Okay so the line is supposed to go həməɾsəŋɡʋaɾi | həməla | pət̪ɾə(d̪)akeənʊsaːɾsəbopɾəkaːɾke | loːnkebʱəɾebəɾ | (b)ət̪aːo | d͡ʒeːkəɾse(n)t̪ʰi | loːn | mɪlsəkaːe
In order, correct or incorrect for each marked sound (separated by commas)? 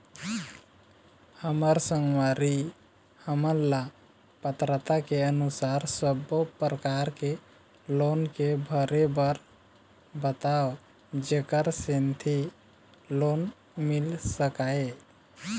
incorrect, correct, correct